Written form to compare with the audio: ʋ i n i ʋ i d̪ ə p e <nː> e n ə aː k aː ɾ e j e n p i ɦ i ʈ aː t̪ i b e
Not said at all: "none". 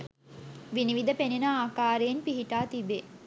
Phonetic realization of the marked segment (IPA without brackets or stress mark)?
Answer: n